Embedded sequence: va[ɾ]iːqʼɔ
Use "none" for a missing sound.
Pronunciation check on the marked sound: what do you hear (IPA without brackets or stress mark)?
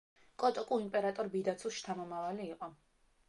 l